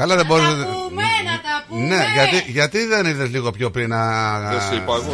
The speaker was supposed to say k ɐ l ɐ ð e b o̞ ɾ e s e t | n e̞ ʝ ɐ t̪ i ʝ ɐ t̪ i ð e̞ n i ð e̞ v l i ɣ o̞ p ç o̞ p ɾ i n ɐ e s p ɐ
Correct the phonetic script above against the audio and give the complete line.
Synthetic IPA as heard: k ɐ l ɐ ð e b o̞ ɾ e s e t | n e̞ ʝ ɐ t̪ i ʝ ɐ t̪ i ð e̞ n i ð e̞ z l i ɣ o̞ p ç o̞ p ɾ i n ɐ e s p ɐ